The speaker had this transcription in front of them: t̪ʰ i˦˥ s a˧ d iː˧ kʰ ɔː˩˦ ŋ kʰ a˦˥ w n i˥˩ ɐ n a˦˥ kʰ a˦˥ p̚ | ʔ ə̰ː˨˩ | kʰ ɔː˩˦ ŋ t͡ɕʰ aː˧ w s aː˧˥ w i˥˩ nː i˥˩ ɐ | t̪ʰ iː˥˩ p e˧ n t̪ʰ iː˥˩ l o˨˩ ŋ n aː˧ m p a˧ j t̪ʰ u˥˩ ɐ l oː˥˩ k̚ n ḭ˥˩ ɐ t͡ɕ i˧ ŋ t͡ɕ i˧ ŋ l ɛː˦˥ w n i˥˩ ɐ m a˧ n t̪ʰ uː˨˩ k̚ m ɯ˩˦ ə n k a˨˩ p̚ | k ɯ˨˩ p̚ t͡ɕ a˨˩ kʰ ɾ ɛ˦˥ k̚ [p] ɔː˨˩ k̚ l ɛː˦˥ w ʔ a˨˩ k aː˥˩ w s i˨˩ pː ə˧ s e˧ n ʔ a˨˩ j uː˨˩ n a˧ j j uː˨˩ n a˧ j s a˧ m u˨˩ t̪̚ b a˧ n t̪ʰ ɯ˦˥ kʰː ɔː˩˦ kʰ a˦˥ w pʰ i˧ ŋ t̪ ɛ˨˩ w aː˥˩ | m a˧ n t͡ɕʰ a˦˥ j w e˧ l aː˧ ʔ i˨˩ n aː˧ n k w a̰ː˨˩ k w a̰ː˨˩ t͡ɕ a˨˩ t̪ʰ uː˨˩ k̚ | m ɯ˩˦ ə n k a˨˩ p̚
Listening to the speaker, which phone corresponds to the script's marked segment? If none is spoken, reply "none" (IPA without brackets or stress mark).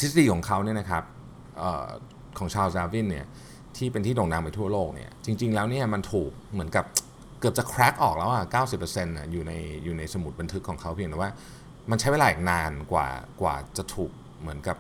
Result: ʔ